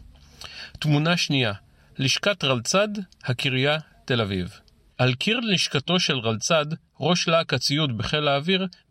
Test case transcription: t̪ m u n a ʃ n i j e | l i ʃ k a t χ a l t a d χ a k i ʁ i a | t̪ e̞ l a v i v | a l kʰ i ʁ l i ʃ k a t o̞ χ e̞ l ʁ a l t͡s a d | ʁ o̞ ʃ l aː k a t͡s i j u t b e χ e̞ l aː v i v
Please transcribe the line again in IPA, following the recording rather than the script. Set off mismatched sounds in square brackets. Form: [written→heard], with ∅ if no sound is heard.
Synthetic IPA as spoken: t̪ m u n a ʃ n i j [e→a] | l i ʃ k a t [χ→ʁ] a l [t→t͡s] a d [χ→h] a k i ʁ [i→j] a | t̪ e̞ l a v i v | a l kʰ i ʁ l i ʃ k a t o̞ [χ→ʃ] e̞ l ʁ a l t͡s a d | ʁ o̞ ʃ l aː k a t͡s i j u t b e χ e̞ l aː v i [v→ʁ]